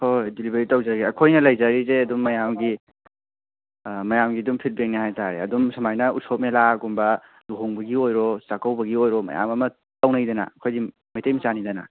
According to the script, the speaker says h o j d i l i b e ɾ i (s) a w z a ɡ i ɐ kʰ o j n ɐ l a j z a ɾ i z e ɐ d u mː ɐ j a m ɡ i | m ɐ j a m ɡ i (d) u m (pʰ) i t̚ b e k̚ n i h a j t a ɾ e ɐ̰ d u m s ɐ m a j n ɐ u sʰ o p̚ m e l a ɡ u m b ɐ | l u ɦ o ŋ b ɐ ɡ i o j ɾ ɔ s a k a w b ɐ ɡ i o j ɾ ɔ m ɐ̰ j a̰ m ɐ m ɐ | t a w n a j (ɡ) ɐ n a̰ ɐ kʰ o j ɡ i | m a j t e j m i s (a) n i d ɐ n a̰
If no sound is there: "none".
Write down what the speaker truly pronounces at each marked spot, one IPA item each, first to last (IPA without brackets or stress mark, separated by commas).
t, d, pʰ, d, a